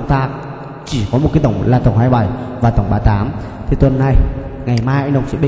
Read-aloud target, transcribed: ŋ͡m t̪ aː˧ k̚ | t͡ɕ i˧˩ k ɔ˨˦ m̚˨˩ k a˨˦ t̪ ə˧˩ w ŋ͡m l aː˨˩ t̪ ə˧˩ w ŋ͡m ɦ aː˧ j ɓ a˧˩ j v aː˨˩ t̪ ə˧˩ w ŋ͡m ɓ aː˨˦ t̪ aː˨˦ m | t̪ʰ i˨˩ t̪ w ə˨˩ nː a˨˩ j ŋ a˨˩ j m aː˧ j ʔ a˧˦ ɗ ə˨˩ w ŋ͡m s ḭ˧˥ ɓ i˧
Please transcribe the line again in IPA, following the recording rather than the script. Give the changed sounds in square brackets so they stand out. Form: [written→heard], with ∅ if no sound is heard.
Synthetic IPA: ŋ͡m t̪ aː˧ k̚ | t͡ɕ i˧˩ k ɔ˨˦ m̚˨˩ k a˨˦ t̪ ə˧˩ w ŋ͡m l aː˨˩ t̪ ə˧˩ w ŋ͡m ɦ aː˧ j ɓ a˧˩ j v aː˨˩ t̪ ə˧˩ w ŋ͡m ɓ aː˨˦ t̪ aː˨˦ m | t̪ʰ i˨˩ t̪ w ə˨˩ nː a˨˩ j ŋ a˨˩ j m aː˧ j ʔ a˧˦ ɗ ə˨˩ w ŋ͡m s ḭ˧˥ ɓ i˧

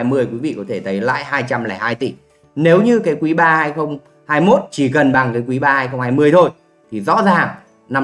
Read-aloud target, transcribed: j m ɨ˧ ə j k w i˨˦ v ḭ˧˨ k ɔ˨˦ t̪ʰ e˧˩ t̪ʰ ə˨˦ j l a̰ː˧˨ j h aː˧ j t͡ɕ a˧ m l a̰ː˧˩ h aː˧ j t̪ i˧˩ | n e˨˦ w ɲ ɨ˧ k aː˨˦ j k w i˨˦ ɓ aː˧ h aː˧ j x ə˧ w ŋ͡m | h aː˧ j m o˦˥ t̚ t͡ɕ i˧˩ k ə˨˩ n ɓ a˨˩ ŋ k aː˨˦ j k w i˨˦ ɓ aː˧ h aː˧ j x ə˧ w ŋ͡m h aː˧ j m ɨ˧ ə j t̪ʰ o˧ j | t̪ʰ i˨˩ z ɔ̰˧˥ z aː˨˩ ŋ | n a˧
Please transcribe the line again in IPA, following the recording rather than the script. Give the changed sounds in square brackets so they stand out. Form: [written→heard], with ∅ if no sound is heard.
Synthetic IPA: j m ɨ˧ ə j k w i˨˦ v ḭ˧˨ k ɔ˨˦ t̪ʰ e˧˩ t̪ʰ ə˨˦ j l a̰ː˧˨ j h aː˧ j t͡ɕ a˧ m l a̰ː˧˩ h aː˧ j t̪ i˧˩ | n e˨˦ w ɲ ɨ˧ k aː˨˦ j k w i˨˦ ɓ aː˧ h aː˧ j x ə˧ w ŋ͡m | h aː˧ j m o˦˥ t̚ t͡ɕ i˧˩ k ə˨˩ n ɓ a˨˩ ŋ k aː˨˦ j k w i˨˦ ɓ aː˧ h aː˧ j x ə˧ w ŋ͡m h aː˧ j m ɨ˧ ə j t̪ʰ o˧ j | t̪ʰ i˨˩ z ɔ̰˧˥ z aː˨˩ ŋ | n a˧

